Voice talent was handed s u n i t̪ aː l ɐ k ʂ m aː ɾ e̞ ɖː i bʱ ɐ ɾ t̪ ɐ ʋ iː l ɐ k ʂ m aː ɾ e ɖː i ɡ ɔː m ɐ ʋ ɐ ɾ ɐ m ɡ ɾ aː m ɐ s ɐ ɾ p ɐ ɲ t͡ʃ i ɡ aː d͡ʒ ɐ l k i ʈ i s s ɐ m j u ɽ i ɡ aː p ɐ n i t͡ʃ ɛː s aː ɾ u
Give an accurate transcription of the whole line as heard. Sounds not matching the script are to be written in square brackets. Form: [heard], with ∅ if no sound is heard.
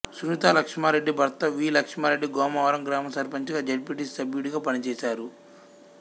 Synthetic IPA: s u n i t̪ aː l ɐ k ʂ m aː ɾ e̞ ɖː i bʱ ɐ ɾ t̪ ɐ ʋ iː l ɐ k ʂ m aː ɾ e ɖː i ɡ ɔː m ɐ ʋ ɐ ɾ ɐ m ɡ ɾ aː m ɐ s ɐ ɾ p ɐ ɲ t͡ʃ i ɡ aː d͡ʒ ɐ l [p] i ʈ i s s ɐ [b] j u ɽ i ɡ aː p ɐ n i t͡ʃ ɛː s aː ɾ u